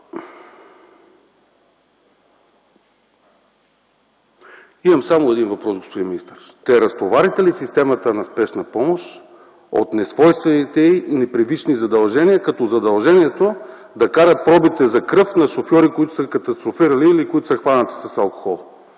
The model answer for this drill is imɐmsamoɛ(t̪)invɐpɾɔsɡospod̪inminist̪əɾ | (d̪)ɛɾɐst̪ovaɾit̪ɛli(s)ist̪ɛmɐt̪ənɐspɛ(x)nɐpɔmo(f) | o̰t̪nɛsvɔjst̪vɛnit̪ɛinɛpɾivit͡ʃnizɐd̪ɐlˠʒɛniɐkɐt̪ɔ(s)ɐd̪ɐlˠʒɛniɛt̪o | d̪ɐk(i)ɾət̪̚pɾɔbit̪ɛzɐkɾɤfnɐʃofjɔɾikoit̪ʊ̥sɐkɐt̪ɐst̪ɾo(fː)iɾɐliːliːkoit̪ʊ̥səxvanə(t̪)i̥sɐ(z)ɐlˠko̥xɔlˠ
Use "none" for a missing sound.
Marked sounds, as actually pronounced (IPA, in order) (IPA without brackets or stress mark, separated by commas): d̪, t̪, s, ʃ, ʃ, z, a, f, t̪, s